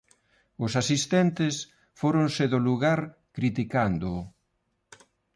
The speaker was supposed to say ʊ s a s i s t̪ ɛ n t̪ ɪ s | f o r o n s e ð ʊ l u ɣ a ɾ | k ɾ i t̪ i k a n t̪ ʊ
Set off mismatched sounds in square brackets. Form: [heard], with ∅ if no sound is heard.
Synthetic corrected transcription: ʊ s a s i s t̪ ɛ n t̪ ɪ s | f o [ɾ] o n s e ð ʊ l u ɣ a ɾ | k ɾ i t̪ i k a n [d̪] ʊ